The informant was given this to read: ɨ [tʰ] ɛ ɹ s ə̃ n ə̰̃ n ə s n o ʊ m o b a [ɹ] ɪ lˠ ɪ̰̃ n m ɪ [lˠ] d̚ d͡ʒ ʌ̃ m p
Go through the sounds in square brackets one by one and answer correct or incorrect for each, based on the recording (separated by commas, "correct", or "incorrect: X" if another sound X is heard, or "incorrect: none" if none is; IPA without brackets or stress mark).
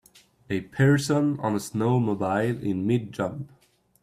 incorrect: pʰ, incorrect: none, incorrect: none